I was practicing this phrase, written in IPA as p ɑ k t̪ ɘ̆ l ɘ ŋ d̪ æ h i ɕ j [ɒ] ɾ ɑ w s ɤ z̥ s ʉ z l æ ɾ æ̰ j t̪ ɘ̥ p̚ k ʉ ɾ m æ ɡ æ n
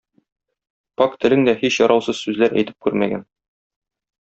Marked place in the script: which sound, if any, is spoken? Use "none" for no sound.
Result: ɒ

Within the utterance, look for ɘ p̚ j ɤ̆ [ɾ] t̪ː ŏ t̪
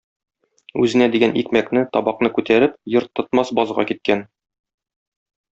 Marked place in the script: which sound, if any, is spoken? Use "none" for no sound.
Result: ɾ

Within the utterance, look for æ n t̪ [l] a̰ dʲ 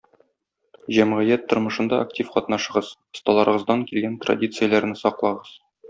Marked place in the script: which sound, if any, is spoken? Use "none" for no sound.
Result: r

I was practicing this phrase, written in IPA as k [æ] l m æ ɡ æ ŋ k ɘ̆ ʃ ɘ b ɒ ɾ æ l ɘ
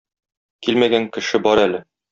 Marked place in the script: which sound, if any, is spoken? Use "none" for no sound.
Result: i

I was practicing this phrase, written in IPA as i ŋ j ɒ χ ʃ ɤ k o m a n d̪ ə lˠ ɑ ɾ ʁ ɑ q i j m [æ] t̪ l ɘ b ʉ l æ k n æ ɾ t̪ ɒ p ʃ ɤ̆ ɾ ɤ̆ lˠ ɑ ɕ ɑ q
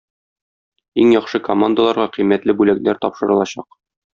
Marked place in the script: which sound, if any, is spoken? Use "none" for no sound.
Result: æ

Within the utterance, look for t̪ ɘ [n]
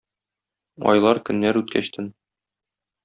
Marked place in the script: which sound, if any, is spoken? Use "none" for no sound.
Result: n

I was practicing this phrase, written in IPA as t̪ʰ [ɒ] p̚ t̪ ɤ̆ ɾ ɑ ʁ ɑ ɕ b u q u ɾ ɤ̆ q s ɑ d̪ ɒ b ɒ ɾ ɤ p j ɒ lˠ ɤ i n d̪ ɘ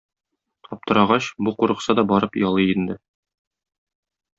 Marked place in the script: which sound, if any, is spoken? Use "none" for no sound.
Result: ɒ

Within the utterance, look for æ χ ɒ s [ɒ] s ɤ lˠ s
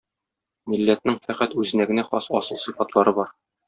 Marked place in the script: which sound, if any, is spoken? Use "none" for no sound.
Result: ɒ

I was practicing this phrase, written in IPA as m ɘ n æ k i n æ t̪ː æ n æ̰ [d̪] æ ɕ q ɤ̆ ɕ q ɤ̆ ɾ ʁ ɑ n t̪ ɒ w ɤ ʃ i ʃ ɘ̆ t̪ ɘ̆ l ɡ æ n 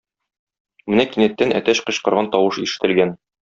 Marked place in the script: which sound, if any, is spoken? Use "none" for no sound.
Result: t̪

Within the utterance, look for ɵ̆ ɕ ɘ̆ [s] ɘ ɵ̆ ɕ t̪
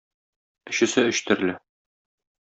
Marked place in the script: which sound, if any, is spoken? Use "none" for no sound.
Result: s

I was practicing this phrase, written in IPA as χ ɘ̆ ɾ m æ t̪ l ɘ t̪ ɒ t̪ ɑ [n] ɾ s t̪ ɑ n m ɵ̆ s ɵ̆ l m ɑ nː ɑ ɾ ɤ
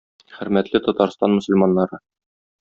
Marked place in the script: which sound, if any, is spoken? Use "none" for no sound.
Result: none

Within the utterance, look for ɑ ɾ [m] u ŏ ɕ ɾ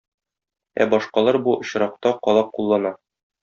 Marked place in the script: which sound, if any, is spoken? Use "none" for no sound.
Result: b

